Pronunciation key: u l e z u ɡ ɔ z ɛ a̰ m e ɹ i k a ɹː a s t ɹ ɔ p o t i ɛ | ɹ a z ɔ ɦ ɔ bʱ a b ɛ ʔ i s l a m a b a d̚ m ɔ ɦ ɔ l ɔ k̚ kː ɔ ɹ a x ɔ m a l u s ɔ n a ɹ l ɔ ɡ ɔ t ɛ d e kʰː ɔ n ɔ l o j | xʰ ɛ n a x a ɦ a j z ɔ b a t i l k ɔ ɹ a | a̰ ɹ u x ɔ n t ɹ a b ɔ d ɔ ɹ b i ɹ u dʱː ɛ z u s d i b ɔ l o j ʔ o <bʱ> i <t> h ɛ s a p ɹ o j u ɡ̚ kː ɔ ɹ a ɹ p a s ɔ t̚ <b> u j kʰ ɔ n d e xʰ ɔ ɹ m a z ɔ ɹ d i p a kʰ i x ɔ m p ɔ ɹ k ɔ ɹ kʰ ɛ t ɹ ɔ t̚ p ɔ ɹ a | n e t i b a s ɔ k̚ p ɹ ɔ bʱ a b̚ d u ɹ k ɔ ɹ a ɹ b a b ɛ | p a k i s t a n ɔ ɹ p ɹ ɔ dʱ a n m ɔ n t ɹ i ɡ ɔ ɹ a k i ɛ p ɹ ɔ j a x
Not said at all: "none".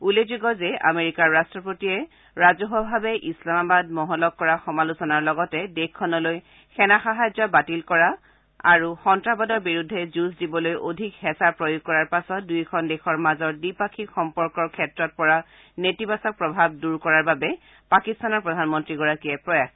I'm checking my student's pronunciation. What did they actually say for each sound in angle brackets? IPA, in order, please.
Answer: dʱ, k, d

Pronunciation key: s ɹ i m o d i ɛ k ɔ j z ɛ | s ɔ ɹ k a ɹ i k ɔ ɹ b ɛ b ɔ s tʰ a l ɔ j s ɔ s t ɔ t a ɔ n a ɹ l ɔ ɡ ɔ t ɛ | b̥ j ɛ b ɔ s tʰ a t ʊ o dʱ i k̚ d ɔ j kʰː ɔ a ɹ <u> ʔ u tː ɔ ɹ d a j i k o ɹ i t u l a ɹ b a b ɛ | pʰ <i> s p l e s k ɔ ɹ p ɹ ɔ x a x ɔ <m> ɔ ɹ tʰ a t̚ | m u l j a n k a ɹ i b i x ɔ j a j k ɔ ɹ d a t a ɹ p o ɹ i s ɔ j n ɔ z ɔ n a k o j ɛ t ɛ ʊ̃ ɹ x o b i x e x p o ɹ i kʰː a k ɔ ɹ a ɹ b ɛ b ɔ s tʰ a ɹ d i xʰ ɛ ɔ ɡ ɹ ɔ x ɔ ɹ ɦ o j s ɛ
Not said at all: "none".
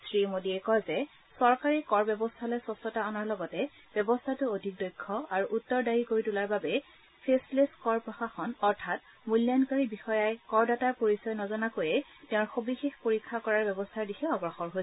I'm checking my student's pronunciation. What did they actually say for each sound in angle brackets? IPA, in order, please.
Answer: u, e, n

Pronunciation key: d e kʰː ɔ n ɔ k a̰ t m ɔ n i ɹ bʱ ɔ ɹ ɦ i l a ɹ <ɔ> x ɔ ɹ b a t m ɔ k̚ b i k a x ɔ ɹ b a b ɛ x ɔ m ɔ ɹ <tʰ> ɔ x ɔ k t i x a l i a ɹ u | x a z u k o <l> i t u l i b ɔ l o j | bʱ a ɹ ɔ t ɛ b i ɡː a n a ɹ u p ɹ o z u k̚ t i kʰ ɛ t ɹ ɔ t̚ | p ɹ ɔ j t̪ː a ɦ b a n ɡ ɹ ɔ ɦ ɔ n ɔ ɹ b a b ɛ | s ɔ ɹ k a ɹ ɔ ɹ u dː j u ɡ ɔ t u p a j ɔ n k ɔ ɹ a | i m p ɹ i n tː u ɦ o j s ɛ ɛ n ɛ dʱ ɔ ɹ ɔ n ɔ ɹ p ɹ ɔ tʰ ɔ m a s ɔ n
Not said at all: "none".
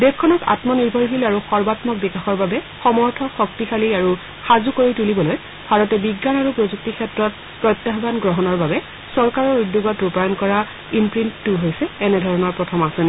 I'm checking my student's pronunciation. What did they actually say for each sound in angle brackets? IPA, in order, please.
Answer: u, tʰ, ɹ

